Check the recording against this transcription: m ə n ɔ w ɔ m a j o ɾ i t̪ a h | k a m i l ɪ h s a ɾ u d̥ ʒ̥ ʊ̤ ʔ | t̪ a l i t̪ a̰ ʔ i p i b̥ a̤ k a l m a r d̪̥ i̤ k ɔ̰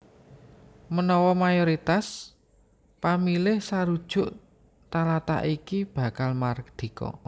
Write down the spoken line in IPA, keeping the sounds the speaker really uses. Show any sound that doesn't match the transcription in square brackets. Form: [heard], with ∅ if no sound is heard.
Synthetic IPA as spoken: m ə n ɔ w ɔ m a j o ɾ i t̪ a [s] | [p] a m i l ɪ h s a ɾ u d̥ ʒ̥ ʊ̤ ʔ | t̪ a l [a] t̪ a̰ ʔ i [k] i b̥ a̤ k a l m a r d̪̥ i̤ k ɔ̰

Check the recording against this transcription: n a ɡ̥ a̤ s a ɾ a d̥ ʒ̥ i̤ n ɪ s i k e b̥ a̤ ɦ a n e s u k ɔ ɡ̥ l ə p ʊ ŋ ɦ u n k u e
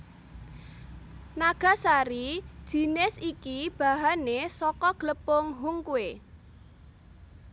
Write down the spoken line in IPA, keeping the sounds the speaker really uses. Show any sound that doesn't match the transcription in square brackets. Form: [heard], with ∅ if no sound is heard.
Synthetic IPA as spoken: n a ɡ̥ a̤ s a ɾ [i] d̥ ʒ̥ i̤ n ɪ s i k [i] b̥ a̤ ɦ a n e s [ɔ] k ɔ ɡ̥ l ə p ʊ ŋ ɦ u [ŋ] k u e

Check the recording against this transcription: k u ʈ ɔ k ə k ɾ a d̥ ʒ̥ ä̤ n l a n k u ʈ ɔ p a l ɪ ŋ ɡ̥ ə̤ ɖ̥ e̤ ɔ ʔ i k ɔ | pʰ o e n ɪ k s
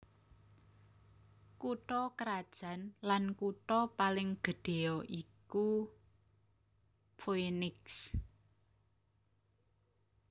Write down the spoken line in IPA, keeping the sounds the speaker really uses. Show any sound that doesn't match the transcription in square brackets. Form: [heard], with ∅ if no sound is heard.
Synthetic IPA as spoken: k u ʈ ɔ k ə [∅] ɾ a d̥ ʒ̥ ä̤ n l a n k u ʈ ɔ p a l ɪ ŋ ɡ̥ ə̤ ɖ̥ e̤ ɔ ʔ i k [u] | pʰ o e n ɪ k s

